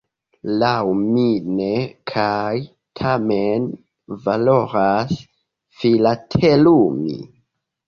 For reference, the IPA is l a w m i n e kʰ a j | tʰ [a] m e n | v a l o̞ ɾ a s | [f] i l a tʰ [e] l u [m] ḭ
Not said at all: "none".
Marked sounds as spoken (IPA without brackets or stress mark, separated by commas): a, f, e, m